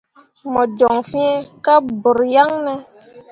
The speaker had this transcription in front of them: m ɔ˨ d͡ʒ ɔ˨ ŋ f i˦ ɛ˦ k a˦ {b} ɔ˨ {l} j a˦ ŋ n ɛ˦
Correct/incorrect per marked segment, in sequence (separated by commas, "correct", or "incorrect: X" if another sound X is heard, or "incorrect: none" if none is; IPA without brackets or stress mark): correct, incorrect: ɾ